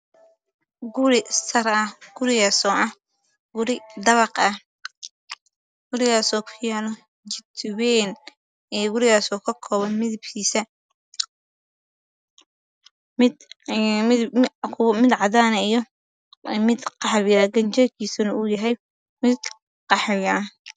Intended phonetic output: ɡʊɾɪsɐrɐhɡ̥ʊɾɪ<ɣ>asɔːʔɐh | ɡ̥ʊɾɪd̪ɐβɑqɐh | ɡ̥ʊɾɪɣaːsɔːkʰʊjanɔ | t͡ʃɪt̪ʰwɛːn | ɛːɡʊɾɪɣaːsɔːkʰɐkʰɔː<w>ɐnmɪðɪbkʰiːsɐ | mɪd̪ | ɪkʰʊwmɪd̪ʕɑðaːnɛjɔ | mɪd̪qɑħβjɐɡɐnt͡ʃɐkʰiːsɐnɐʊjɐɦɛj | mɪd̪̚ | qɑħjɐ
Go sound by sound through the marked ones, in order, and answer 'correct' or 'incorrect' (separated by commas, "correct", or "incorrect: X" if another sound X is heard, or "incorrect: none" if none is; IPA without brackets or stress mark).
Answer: correct, incorrect: β